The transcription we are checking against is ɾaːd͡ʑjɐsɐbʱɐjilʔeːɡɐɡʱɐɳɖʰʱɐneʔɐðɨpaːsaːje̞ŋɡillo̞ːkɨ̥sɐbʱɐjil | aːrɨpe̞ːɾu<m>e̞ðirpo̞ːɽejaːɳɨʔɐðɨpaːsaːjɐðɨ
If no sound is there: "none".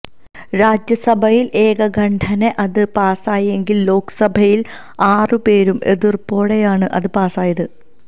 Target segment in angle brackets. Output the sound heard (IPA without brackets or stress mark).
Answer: m